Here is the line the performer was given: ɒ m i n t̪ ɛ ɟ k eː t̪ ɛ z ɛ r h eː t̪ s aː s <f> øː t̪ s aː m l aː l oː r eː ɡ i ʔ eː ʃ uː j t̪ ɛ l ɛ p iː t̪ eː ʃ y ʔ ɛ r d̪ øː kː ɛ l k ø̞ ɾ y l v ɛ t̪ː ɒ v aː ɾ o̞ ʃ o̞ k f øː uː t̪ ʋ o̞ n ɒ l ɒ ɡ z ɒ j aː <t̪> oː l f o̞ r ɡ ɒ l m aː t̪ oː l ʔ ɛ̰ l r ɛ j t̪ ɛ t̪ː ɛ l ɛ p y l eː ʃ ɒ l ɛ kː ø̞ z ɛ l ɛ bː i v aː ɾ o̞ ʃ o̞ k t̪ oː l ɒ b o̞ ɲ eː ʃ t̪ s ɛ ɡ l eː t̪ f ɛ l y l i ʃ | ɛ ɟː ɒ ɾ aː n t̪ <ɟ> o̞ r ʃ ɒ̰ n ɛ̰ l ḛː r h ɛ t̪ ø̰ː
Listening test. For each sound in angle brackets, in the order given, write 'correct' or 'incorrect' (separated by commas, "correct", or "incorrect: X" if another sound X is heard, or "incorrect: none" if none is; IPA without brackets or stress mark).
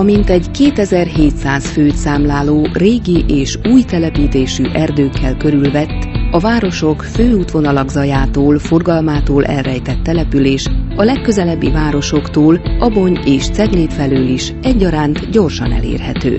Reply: correct, correct, correct